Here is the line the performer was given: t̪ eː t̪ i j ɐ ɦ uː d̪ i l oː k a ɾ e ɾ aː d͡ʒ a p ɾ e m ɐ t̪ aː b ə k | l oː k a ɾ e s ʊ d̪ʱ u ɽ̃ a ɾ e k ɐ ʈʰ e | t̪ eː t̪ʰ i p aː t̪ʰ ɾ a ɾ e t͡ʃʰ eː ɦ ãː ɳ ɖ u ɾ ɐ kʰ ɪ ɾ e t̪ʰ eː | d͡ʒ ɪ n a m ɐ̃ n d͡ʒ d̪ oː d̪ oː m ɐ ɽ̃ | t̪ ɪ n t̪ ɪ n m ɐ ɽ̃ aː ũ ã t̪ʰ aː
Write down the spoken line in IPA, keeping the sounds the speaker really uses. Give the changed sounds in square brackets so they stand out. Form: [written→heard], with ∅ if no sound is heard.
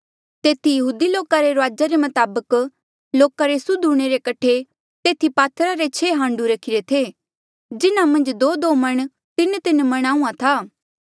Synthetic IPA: t̪ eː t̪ i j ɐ ɦ uː d̪ i l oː k a ɾ e ɾ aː d͡ʒ a [p→∅] ɾ e m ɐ t̪ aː b ə k | l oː k a ɾ e s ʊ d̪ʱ u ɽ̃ [a→e] ɾ e k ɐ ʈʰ e | t̪ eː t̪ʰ i p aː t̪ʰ ɾ a ɾ e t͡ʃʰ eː ɦ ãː ɳ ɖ u ɾ ɐ kʰ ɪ ɾ e t̪ʰ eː | d͡ʒ ɪ n a m ɐ̃ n d͡ʒ d̪ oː d̪ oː m ɐ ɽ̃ | t̪ ɪ n t̪ ɪ n m ɐ ɽ̃ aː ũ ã t̪ʰ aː